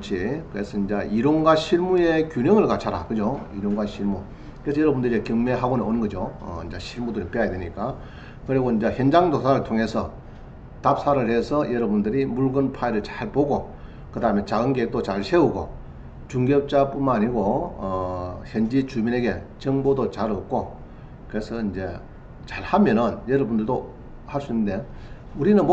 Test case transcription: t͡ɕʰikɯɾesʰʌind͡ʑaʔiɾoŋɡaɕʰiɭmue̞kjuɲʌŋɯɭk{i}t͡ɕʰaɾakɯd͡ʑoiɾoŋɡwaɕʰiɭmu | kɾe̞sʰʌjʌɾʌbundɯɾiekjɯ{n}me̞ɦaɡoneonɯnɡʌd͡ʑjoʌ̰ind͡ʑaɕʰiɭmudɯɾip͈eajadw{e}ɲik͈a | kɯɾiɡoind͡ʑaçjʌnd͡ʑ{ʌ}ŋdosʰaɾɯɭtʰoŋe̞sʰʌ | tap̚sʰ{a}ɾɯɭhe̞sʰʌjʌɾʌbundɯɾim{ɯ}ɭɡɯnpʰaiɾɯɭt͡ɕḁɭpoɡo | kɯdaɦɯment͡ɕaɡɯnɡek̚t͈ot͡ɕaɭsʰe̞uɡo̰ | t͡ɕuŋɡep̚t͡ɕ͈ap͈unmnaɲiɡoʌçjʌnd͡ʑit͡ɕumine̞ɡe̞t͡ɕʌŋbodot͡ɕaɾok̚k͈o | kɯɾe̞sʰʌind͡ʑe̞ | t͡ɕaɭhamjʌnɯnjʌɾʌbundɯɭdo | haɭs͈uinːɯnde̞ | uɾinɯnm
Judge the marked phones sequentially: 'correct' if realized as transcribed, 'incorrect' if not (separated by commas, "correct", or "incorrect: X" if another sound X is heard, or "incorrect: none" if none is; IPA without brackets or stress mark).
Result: incorrect: a, incorrect: ŋ, correct, incorrect: a, correct, incorrect: u